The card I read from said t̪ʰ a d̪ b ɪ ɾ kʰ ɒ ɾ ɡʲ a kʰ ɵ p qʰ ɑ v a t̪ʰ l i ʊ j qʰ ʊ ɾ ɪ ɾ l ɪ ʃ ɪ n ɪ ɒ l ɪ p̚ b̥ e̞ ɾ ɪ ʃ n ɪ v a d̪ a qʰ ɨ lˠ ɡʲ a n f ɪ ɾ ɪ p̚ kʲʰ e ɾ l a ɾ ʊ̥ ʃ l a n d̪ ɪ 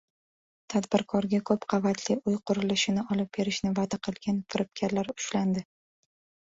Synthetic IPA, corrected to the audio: t̪ʰ a d̪ b ɪ ɾ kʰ ɒ ɾ ɡʲ a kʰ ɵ p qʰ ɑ v a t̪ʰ l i ʊ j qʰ ʊ ɾ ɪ l ɪ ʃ ɪ n ɪ ɒ l ɪ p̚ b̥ e̞ ɾ ɪ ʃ n ɪ v a d̪ a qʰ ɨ lˠ ɡʲ a n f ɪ ɾ ɪ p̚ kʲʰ a ɾ l a ɾ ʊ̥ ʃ l a n d̪ ɪ